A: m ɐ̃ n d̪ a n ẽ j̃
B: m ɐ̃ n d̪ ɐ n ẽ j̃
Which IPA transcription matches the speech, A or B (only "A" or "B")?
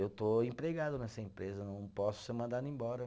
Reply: A